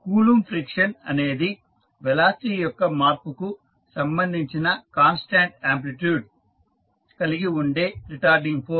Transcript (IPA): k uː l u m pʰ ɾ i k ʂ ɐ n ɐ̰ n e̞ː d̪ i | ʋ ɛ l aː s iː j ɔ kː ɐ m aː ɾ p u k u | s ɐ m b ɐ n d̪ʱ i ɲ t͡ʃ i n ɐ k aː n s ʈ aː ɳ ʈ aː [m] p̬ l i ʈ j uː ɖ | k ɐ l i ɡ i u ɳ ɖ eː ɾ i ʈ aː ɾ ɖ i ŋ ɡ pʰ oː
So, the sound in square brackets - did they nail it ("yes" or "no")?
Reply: yes